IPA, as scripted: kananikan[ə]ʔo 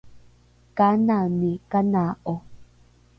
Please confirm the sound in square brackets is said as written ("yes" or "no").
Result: no